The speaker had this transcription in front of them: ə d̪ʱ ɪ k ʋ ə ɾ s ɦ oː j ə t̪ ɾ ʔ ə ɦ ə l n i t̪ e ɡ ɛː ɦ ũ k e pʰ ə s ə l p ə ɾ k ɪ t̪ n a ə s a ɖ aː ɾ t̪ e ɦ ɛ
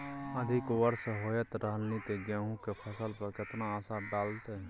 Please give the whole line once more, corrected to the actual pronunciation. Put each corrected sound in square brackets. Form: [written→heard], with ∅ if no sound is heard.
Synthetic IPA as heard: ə d̪ʱ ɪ k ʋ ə ɾ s ɦ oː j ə t̪ ɾ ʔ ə ɦ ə l n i t̪ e ɡ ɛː ɦ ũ k e pʰ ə s ə l p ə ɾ k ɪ t̪ n a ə s a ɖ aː [ɾ→l] t̪ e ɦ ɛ